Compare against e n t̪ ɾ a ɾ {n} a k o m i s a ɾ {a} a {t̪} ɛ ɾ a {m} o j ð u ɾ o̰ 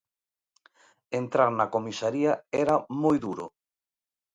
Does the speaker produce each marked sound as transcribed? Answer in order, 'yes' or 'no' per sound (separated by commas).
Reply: yes, no, no, yes